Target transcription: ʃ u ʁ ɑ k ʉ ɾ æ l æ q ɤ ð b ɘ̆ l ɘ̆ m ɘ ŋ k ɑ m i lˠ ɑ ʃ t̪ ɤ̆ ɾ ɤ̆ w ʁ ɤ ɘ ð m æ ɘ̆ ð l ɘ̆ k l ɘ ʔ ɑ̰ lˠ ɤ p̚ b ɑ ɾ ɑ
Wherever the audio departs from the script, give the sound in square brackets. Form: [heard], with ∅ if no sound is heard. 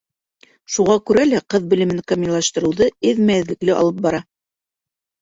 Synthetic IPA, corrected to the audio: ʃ u ʁ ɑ k ʉ ɾ æ l æ q ɤ ð b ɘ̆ l ɘ̆ m ɘ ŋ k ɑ m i lˠ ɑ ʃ t̪ ɤ̆ ɾ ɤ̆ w [ð] ɤ ɘ ð m æ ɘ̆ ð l ɘ̆ k l ɘ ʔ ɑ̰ lˠ ɤ p̚ b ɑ ɾ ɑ